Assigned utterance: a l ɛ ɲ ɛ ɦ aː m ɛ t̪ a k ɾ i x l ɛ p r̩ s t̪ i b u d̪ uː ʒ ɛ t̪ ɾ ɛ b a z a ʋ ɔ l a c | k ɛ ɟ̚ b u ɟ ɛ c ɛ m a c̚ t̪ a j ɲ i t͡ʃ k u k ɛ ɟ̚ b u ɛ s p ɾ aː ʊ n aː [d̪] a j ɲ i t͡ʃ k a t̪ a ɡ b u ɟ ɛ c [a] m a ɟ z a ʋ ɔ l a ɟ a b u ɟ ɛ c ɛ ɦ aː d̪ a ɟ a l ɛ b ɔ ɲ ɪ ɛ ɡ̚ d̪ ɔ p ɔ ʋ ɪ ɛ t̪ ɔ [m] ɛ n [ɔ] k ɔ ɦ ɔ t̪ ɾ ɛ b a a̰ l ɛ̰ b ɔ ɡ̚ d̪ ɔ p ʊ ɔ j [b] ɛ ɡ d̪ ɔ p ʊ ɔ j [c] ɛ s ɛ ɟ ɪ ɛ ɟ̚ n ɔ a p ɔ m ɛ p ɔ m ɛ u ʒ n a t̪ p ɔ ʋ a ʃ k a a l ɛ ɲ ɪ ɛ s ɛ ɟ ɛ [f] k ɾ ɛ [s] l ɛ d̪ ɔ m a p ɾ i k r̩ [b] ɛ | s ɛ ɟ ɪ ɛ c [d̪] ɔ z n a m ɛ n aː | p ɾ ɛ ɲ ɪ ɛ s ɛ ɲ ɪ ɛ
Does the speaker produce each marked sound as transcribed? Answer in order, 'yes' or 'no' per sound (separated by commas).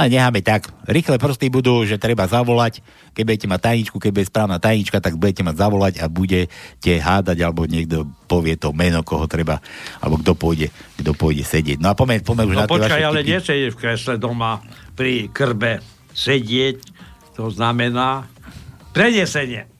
no, no, yes, yes, no, no, yes, yes, yes, no